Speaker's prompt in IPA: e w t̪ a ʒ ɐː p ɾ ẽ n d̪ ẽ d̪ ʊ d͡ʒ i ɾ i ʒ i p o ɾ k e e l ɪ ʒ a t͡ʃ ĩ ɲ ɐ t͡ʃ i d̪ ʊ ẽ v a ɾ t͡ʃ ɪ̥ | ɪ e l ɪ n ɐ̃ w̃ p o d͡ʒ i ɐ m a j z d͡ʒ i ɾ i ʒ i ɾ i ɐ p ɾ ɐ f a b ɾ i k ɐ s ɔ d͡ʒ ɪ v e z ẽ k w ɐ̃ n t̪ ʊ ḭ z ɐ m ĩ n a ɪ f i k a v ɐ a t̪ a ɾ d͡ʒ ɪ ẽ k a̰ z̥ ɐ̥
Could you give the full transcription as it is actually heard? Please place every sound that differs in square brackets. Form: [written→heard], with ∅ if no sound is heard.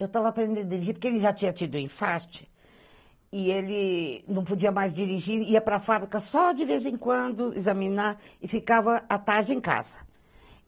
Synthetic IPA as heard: e w t̪ a [ʒ→v] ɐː p ɾ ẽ n d̪ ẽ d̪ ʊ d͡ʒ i ɾ i ʒ i p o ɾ k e e l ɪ ʒ a t͡ʃ ĩ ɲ ɐ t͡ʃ i d̪ ʊ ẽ [v→f] a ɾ t͡ʃ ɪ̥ | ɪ e l ɪ n ɐ̃ w̃ p o d͡ʒ i ɐ m a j z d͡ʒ i ɾ i ʒ i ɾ i ɐ p ɾ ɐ f a b ɾ i k ɐ s ɔ d͡ʒ ɪ v e z ẽ k w ɐ̃ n [t̪→d̪] ʊ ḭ z ɐ m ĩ n a ɪ f i k a v ɐ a t̪ a ɾ d͡ʒ ɪ ẽ k a̰ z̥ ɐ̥